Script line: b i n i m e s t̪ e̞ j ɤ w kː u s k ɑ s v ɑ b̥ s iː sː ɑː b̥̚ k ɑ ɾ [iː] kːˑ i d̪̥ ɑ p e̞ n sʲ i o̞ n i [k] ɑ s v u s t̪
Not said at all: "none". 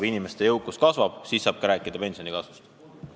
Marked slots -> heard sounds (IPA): æː, k

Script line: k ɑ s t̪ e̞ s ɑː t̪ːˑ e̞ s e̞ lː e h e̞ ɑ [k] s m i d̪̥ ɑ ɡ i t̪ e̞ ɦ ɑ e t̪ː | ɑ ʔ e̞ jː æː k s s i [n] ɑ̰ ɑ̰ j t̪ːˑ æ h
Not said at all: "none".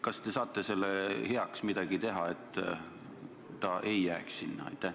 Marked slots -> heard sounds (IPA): k, nː

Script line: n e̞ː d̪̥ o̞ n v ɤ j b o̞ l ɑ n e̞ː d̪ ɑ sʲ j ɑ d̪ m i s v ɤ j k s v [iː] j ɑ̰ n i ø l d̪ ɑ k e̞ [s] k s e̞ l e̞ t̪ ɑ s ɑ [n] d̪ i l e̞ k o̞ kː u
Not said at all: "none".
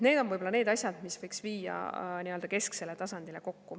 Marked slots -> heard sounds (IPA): iː, s, n

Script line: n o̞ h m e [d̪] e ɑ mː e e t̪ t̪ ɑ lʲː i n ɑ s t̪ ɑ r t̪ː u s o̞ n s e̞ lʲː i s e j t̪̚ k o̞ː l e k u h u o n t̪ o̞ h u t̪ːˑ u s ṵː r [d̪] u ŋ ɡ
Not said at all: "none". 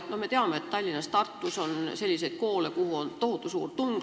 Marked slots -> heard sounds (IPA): t̪, t̪

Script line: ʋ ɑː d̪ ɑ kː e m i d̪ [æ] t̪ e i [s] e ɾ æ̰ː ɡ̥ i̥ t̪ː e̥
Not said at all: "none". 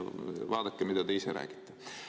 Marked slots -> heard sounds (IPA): æ, s

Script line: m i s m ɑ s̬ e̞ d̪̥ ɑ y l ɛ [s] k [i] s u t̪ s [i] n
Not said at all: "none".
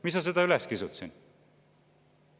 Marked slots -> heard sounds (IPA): s, i, i

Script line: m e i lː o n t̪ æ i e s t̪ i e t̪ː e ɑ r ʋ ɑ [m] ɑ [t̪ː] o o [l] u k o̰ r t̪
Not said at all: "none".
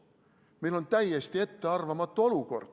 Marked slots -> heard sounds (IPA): m, t̪ː, l

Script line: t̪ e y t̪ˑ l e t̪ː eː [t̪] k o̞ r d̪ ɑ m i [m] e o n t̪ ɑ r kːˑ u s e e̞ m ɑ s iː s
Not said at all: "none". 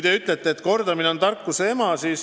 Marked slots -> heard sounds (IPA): t̪, n

